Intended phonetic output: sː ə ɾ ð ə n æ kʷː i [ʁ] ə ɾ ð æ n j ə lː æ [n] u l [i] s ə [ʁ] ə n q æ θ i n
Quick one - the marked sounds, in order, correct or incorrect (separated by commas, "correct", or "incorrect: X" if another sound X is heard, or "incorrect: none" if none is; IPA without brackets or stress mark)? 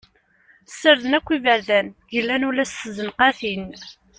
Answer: incorrect: v, correct, incorrect: æ, incorrect: z